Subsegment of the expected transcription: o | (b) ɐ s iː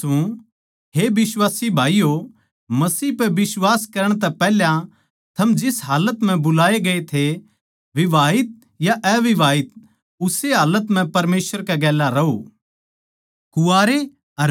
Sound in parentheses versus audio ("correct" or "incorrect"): incorrect